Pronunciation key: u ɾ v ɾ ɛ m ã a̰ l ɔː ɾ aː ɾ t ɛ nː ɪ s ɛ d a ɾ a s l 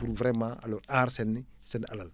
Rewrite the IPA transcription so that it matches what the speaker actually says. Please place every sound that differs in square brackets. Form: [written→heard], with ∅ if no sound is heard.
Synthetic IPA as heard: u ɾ v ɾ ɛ m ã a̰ l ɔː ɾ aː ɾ [t→s] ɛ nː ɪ s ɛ [d→n] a [ɾ→l] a [s→∅] l